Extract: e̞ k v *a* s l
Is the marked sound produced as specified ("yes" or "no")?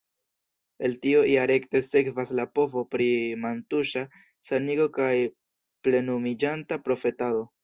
yes